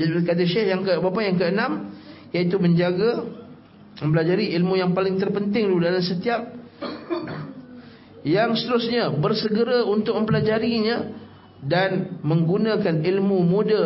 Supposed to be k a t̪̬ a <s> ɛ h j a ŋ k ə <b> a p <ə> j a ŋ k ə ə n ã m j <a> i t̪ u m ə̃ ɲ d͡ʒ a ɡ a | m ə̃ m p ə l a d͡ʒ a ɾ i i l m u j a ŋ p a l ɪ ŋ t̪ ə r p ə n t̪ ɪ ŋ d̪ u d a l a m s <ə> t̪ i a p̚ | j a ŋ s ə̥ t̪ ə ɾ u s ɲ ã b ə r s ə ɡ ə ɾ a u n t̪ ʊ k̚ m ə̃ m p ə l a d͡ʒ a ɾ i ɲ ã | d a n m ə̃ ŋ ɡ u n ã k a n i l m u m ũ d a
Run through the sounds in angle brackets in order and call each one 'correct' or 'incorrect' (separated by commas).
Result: incorrect, correct, incorrect, correct, correct